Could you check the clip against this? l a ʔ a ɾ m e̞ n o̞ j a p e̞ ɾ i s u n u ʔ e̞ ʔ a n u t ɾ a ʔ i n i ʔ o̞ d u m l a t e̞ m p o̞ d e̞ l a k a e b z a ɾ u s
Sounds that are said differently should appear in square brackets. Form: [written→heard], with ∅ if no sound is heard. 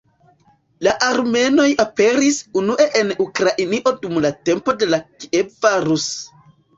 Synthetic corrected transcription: l a ʔ a ɾ m e̞ n o̞ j a p e̞ ɾ i s u n u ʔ e̞ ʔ [a→e] n u [t→k] ɾ a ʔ i n i ʔ o̞ d u m l a t e̞ m p o̞ d e̞ l a k [a→i] e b [z→v] a ɾ u s